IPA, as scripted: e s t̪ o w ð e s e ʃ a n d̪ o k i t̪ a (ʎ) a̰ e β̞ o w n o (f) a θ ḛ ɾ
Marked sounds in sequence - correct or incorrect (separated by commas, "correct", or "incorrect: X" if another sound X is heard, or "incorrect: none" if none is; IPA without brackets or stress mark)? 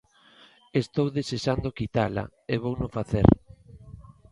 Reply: incorrect: l, correct